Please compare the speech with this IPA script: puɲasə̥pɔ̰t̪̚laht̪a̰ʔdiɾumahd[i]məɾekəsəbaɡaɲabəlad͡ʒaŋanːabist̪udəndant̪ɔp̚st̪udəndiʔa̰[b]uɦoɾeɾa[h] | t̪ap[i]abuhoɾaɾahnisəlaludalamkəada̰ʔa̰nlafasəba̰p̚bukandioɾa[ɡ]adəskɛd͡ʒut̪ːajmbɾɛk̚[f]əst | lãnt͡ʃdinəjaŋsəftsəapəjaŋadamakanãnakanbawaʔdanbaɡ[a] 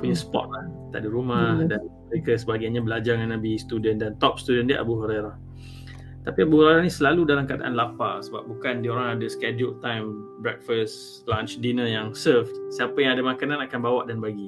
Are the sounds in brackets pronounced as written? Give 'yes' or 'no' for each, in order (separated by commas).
no, yes, yes, yes, no, yes, no